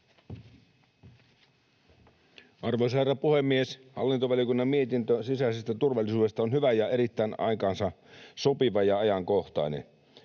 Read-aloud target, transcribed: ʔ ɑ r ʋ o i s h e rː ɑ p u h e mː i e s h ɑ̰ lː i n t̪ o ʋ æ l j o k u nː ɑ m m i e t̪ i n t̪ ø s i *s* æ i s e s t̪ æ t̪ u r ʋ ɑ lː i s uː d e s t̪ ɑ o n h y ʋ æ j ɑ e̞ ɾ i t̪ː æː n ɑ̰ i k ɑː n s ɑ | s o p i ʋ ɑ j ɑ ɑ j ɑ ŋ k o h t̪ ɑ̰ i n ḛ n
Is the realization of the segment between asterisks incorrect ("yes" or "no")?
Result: no